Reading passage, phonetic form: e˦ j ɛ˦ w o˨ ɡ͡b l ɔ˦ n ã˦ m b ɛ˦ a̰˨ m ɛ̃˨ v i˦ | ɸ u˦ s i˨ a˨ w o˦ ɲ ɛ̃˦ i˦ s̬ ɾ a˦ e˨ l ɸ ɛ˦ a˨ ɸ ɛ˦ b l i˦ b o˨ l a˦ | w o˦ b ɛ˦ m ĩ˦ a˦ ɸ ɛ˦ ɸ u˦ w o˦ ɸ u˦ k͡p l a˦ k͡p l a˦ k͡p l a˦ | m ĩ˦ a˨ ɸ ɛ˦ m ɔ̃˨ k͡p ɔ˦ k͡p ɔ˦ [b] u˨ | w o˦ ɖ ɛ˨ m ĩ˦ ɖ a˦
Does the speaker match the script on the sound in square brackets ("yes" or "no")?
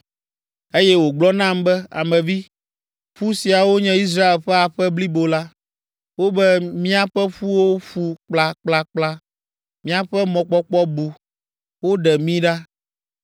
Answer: yes